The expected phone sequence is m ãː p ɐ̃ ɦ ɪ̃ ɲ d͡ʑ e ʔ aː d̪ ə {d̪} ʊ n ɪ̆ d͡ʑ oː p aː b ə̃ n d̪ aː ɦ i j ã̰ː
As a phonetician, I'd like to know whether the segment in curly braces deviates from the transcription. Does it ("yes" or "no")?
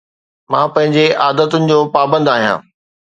yes